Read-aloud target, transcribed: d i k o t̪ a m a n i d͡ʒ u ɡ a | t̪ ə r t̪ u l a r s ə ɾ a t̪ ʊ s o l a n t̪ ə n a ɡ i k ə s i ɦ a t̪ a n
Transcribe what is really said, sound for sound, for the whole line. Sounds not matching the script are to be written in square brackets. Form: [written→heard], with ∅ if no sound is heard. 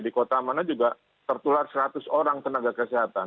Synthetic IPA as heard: d i k o t̪ a m a n [i→a] d͡ʒ u ɡ a | t̪ ə r t̪ u l a r s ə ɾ a t̪ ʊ s o [l→ɾ] a [n→ŋ] t̪ ə n a ɡ [i→a] k ə s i ɦ a t̪ a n

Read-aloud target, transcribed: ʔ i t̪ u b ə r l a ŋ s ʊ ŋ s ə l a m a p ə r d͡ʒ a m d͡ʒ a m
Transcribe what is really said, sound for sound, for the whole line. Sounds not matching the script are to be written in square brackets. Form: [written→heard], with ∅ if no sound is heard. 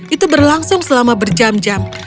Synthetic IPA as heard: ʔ i t̪ u b ə r l a ŋ s ʊ ŋ s ə l a m a [p→b] ə r d͡ʒ a m d͡ʒ a m

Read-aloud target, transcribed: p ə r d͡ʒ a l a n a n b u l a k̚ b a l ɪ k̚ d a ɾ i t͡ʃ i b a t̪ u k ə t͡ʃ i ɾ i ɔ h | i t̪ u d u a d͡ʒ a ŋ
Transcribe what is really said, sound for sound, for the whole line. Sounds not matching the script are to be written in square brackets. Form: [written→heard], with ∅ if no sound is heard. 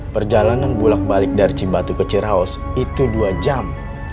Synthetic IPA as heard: p ə r d͡ʒ a l a n a n b u l a k̚ b a l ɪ k̚ d a ɾ i t͡ʃ i b a t̪ u k ə t͡ʃ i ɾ [i→a] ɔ [h→s] | i t̪ u d u a d͡ʒ a [ŋ→m]

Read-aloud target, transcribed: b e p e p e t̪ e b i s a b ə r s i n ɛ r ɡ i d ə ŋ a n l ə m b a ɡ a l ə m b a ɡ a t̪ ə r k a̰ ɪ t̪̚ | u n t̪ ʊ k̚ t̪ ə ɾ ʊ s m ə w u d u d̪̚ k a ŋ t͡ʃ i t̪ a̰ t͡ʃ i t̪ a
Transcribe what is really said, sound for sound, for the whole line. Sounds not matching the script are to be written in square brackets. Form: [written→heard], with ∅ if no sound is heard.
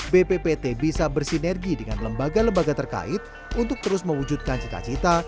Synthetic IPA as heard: b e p e p e t̪ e b i s a b ə r s i n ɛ r ɡ i d ə ŋ a n l ə m b a ɡ a l ə m b a ɡ a t̪ ə r k a̰ ɪ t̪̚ | u n t̪ ʊ k̚ t̪ ə ɾ ʊ s m ə w u [d→d͡ʒ] u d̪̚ k a [ŋ→n] t͡ʃ i t̪ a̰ t͡ʃ i t̪ a

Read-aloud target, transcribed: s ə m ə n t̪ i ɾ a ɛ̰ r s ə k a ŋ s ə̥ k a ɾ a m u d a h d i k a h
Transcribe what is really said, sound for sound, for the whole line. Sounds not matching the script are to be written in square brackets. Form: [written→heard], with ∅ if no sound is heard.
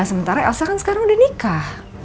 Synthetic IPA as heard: s ə m ə n t̪ [i→a] ɾ a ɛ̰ [r→l] s [ə→a] k a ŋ s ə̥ k a ɾ a [m→ŋ] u d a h [d→n] i k a h

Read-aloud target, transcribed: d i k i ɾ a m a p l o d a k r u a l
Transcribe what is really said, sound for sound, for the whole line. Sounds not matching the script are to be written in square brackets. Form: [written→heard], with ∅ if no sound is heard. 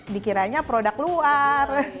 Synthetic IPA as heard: d i k i ɾ a [m→ɲ] a p [l→ɾ] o d a k [r→l] u a [l→r]

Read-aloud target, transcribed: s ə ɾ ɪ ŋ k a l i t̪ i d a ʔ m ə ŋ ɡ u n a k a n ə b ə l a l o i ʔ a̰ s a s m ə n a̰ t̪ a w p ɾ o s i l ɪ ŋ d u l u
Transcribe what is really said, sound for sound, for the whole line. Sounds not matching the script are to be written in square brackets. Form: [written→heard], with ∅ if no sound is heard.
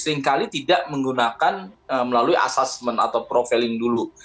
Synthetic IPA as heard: s ə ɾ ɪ ŋ k a l i t̪ i d a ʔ m ə ŋ ɡ u n a k a n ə [b→m] ə l a l [o→u] i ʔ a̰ s a s m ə n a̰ t̪ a w p ɾ o [s→f] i l ɪ ŋ d u l u

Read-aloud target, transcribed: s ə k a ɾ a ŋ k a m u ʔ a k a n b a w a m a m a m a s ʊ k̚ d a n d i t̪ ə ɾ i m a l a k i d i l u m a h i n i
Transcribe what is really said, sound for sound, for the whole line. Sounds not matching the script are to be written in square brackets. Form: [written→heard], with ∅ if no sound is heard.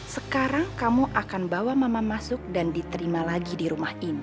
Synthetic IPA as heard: s ə k a ɾ a ŋ k a m u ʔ a k a n b a w a m a m a m a s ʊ k̚ d a n d i t̪ ə ɾ i m a l a [k→ɡ] i d i [l→ɾ] u m a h i n i

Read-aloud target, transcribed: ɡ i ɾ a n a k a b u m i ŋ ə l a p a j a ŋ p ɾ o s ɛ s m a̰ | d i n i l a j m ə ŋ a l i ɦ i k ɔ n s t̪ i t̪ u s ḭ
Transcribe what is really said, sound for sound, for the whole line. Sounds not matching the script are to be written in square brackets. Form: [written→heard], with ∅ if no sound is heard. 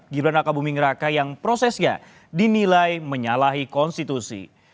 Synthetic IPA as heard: ɡ i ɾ a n a k a b u m i ŋ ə [l→ɾ] a [p→k] a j a ŋ p ɾ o s ɛ s [m→ɲ] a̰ | d i n i l a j m ə [ŋ→ɲ] a l [i→a] ɦ i k ɔ n s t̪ i t̪ u s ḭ

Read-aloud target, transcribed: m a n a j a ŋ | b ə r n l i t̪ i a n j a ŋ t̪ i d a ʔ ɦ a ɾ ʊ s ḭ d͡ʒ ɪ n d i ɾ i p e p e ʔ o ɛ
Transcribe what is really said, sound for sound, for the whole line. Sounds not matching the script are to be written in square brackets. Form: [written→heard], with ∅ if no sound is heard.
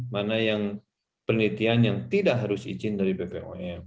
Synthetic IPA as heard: m a n a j a ŋ | [b→p] ə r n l i t̪ i a n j a ŋ t̪ i d a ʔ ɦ a ɾ ʊ s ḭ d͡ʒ ɪ n d [i→a] ɾ i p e p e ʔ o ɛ

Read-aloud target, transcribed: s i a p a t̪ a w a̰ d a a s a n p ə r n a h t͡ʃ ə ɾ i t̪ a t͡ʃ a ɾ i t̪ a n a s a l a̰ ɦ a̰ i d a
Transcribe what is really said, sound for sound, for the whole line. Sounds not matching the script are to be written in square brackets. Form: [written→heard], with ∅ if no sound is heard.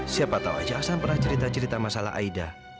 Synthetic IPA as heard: s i a p a t̪ a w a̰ [d→d͡ʒ] a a s a n p ə r n a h t͡ʃ ə ɾ i t̪ a t͡ʃ [a→ə] ɾ i t̪ a [n→m] a s a l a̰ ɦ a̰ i d a

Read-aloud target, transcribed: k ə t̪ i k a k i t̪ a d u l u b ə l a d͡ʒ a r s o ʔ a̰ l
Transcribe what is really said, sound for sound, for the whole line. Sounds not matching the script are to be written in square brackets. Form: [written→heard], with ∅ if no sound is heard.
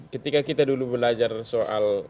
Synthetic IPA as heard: k ə t̪ i k a k i t̪ a d u l u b ə l a d͡ʒ a r s o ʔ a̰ l

